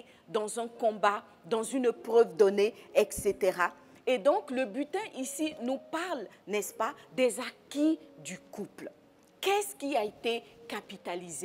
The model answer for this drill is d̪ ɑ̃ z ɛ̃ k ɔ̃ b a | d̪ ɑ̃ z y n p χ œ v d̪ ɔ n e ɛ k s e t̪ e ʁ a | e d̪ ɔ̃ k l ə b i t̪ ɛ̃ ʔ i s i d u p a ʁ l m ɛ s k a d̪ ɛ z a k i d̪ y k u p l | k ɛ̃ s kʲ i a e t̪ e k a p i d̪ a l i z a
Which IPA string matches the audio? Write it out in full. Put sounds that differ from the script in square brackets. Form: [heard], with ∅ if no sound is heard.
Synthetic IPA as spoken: d̪ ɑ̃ z ɛ̃ k ɔ̃ b a | d̪ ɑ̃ z y n p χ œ v d̪ ɔ n e ɛ k s e t̪ e ʁ a | e d̪ ɔ̃ k l ə b [y] t̪ ɛ̃ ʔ i s i [n] u p a ʁ l [n] ɛ s [p] a d̪ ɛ z a k i d̪ y k u p l | k [ɛ] s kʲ i a e t̪ e k a p i [t̪] a l i z [e]